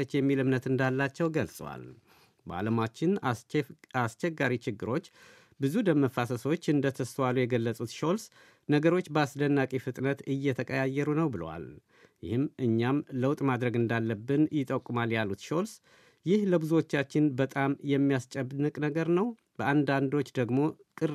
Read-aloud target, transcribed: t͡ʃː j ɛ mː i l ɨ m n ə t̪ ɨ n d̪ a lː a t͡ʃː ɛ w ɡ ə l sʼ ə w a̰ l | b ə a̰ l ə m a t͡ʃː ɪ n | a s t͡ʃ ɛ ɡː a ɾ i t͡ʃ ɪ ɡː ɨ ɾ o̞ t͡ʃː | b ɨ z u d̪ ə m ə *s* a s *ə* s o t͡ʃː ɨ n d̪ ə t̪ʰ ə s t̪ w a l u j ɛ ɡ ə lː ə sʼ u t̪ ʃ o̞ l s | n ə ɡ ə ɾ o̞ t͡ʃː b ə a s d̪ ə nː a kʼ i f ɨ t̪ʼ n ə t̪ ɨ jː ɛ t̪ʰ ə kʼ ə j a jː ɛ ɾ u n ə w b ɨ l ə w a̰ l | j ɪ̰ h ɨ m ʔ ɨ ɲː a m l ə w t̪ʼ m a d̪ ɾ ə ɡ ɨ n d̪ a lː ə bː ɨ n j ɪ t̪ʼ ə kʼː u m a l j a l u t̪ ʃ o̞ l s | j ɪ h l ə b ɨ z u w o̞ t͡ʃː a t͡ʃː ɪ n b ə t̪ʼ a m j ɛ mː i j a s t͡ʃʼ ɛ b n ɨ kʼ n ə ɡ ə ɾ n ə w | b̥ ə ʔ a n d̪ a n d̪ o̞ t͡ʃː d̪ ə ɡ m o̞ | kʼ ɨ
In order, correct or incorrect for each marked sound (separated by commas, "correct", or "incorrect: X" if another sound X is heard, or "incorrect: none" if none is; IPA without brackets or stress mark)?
incorrect: f, correct